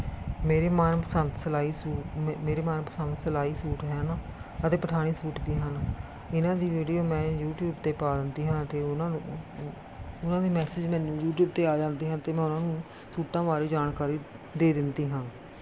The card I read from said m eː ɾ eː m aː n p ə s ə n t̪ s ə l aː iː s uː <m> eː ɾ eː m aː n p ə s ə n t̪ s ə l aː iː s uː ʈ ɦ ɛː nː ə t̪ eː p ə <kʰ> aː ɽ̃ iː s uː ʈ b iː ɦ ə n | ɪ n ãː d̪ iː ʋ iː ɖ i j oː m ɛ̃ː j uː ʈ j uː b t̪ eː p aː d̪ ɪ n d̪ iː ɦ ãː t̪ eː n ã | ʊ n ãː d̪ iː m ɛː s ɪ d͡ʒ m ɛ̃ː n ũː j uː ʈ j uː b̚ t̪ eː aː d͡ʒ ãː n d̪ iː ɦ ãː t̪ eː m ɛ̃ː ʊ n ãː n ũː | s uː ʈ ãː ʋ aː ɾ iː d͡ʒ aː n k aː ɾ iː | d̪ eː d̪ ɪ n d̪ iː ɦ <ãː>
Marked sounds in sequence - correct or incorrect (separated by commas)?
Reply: correct, incorrect, correct